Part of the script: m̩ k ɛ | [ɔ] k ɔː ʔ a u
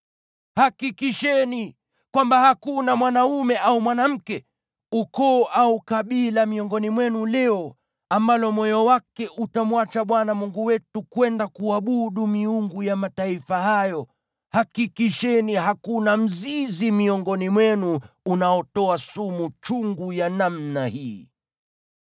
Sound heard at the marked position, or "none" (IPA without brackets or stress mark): u